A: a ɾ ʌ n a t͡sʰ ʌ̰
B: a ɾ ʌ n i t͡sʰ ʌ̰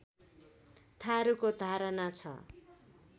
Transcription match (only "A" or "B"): A